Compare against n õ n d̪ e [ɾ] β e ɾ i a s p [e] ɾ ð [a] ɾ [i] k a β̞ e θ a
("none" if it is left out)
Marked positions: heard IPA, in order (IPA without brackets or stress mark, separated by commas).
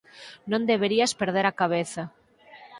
none, e, e, a